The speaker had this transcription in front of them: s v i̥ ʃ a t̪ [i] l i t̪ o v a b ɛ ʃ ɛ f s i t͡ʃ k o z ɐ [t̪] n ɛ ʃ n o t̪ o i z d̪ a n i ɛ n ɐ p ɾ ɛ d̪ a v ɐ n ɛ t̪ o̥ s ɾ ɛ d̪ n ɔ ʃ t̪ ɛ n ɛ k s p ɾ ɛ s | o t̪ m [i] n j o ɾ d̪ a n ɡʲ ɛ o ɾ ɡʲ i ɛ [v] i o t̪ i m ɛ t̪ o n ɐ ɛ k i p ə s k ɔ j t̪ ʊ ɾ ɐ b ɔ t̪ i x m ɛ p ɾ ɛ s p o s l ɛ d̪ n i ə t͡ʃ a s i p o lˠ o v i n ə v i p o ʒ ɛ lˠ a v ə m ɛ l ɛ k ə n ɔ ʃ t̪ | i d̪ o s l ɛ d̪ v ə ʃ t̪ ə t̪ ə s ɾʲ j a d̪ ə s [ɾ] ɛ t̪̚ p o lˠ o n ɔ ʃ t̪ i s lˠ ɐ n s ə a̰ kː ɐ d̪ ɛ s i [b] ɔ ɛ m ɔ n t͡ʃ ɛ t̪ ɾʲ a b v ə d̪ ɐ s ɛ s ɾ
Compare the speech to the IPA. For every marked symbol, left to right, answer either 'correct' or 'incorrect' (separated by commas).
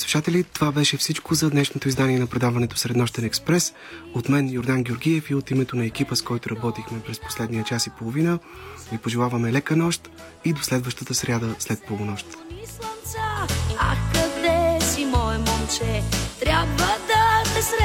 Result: incorrect, incorrect, incorrect, incorrect, incorrect, incorrect